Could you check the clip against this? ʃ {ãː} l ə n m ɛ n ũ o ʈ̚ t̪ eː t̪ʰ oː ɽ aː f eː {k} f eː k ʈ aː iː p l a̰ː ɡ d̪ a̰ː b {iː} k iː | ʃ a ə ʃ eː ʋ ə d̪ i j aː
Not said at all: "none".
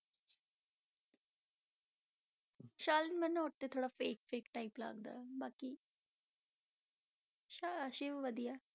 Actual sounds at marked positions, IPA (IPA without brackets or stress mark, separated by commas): aː, k, aː